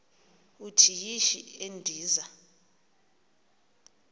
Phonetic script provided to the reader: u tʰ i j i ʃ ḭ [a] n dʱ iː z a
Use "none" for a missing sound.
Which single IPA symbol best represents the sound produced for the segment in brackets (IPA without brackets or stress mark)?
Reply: e